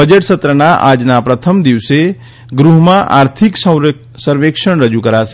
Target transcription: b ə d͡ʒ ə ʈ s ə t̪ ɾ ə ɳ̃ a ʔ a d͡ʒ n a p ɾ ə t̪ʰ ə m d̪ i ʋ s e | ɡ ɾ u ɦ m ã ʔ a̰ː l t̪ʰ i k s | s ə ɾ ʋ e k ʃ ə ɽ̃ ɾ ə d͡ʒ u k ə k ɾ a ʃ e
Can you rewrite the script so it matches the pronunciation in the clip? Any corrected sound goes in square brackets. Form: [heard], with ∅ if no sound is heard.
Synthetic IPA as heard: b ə d͡ʒ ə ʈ s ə t̪ ɾ ə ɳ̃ a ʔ a d͡ʒ n a p ɾ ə t̪ʰ ə m d̪ i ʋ s e | ɡ ɾ u ɦ m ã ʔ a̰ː [ɾ] t̪ʰ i k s | s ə ɾ ʋ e k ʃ ə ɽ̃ ɾ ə d͡ʒ u k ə [∅] ɾ a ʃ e